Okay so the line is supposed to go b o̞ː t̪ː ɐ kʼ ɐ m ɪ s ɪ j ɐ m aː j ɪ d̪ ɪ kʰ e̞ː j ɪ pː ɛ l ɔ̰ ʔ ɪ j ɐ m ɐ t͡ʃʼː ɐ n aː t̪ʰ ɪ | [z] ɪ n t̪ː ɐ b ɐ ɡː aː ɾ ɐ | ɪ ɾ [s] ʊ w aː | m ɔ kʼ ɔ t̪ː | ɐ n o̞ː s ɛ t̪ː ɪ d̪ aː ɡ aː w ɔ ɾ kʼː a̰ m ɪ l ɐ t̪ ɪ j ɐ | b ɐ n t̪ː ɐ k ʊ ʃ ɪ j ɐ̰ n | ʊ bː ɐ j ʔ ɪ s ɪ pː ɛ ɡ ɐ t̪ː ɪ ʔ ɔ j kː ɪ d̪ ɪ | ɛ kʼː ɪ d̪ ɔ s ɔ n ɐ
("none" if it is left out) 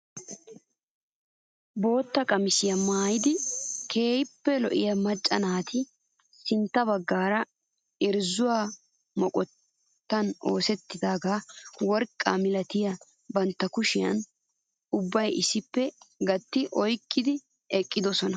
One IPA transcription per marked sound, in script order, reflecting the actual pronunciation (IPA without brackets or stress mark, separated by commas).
s, z